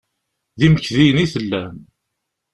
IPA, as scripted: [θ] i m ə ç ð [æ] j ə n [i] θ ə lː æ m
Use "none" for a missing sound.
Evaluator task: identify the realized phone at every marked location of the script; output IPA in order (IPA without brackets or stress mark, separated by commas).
ð, i, i